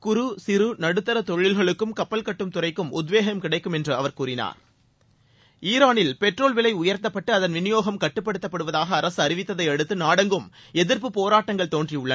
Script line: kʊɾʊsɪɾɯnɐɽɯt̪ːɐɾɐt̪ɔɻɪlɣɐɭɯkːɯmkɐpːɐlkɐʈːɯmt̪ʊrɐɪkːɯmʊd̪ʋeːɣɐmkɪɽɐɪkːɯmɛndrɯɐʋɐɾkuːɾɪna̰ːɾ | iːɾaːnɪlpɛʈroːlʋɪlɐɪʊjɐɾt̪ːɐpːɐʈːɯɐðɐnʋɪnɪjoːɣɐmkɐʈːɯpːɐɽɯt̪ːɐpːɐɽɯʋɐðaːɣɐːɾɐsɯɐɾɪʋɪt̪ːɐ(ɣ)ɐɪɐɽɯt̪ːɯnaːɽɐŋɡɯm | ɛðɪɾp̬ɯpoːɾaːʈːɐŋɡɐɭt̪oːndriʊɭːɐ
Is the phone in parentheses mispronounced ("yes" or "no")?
yes